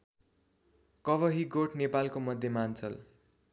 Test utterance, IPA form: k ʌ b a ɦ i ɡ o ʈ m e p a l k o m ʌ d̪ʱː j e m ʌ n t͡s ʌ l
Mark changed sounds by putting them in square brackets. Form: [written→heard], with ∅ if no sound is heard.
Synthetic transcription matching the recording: k ʌ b [a→ʌ] ɦ i ɡ o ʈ [m→n] e p a l k o m ʌ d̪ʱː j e m [ʌ→a] n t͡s ʌ l